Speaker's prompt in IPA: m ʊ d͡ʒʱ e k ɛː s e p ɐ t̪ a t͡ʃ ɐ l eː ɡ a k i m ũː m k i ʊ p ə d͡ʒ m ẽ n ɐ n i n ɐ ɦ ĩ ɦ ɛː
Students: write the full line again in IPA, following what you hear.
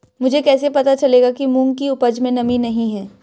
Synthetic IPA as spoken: m ʊ d͡ʒʱ e k ɛː s e p ɐ t̪ a t͡ʃ ɐ l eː ɡ a k i m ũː ŋ k i ʊ p ə d͡ʒ m ẽ n ɐ m i n ɐ ɦ ĩ ɦ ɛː